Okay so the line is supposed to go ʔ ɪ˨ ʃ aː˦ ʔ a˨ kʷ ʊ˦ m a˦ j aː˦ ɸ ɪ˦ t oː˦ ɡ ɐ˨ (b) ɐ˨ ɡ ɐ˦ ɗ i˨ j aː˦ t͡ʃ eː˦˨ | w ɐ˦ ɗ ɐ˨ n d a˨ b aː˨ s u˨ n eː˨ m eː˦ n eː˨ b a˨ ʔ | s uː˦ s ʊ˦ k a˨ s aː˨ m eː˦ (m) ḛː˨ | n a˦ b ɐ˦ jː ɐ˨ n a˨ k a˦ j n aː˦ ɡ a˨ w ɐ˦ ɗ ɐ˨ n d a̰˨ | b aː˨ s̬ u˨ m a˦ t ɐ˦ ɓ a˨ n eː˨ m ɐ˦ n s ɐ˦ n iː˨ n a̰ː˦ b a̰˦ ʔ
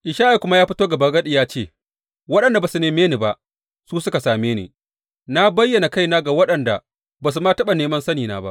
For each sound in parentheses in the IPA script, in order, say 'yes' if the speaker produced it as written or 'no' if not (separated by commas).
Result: yes, no